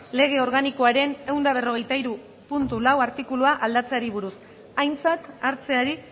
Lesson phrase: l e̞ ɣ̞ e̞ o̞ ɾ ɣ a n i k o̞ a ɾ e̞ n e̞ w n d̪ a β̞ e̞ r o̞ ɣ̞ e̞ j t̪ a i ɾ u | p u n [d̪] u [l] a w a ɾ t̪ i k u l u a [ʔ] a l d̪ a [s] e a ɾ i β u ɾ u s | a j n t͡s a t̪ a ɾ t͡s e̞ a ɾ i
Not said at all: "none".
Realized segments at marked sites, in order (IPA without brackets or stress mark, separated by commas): t̪, l, ʔ, t͡s